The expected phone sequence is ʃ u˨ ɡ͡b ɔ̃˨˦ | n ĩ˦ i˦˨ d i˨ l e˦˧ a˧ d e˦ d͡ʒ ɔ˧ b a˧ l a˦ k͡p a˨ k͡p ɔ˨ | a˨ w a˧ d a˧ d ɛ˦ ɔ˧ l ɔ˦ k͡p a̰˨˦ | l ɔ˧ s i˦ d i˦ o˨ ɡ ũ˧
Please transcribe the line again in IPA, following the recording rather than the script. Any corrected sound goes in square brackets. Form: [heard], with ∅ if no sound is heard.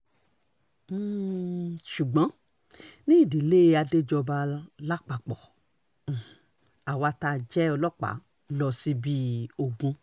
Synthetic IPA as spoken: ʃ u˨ ɡ͡b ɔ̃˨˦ | n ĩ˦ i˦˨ d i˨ l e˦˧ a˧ d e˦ d͡ʒ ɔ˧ b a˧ l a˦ k͡p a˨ k͡p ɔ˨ | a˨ w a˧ [t] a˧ [d͡ʒ] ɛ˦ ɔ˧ l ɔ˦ k͡p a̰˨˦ | l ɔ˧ s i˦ [b] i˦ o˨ ɡ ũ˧